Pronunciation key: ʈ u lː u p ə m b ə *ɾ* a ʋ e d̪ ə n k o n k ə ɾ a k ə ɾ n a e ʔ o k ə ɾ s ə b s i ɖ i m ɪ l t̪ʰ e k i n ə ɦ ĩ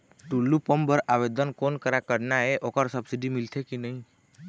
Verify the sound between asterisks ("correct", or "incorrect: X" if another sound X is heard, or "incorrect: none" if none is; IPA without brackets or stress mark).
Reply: correct